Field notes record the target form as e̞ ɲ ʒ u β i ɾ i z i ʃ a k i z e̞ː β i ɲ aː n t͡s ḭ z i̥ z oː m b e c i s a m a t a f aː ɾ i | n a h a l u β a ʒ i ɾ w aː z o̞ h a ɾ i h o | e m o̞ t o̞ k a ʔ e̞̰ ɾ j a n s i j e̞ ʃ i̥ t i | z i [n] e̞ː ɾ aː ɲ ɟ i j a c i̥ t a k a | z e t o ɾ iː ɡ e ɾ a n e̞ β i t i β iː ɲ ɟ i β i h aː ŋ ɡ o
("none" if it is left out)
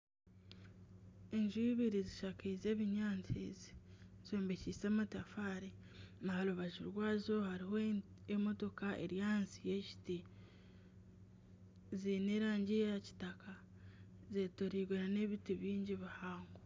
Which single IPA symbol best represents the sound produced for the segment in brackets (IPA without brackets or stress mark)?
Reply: n